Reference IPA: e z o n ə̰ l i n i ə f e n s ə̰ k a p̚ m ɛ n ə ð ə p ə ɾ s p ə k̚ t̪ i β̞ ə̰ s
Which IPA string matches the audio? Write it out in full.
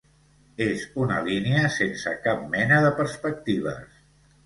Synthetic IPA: e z u n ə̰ l i n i ə s e n s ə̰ k a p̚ m ɛ n ə ð ə p ə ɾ s p ə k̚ t̪ i β̞ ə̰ s